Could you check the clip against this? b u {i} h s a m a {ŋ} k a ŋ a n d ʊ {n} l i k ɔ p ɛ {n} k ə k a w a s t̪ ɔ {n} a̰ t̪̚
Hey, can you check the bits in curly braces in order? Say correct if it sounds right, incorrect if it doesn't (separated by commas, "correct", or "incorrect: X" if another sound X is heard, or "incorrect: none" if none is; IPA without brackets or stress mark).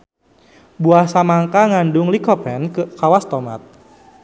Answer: incorrect: a, correct, incorrect: ŋ, correct, incorrect: m